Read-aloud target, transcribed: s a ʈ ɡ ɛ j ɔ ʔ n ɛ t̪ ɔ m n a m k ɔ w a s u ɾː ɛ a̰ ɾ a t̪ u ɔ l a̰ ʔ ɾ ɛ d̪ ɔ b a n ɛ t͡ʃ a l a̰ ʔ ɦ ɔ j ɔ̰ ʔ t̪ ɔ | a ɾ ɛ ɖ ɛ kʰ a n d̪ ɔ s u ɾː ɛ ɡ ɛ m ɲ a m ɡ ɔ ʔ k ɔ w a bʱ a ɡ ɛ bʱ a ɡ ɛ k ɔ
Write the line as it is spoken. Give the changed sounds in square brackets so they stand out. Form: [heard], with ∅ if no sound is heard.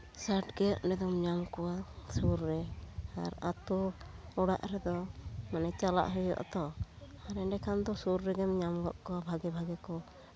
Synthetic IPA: s a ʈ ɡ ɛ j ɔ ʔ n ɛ [d̪] ɔ m [ɲ] a m k ɔ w a s u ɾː ɛ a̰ ɾ a t̪ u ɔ [ɽ] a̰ ʔ ɾ ɛ d̪ ɔ [m] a n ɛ t͡ʃ a l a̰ ʔ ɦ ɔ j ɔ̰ ʔ t̪ ɔ | a ɾ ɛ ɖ ɛ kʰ a n d̪ ɔ s u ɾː ɛ ɡ ɛ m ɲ a m ɡ ɔ ʔ k ɔ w a bʱ a ɡ ɛ bʱ a ɡ ɛ k ɔ